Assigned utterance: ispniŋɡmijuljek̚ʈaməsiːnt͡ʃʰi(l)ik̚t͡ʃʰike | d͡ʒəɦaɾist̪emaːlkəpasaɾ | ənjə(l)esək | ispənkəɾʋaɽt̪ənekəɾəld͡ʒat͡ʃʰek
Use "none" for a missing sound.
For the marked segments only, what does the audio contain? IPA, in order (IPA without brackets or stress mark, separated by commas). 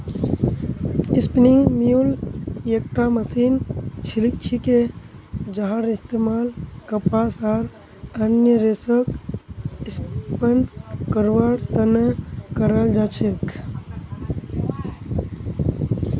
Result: l, ɾ